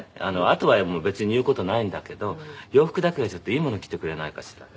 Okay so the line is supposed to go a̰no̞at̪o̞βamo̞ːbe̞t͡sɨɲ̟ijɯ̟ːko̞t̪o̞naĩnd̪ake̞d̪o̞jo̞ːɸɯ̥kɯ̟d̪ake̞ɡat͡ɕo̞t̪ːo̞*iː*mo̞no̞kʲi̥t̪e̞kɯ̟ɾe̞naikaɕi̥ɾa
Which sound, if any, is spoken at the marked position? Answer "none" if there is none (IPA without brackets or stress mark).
iː